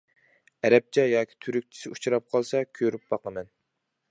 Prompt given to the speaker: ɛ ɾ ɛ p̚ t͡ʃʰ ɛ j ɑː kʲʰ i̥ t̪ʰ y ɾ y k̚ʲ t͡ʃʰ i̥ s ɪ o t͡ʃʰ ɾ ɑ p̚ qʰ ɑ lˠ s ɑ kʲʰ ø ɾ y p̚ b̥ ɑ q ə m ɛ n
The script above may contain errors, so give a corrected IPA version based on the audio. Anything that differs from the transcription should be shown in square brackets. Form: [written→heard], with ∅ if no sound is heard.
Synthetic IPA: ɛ ɾ ɛ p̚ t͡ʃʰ ɛ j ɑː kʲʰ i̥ t̪ʰ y ɾ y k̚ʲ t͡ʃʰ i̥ s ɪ [o→u] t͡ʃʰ ɾ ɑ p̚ qʰ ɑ lˠ s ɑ kʲʰ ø ɾ y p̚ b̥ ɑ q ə m ɛ n